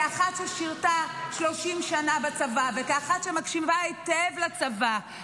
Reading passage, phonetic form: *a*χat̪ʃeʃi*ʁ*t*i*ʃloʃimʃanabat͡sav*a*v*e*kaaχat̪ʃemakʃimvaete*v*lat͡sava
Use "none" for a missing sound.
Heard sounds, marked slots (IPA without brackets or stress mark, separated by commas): a, ʁ, a, a, e, v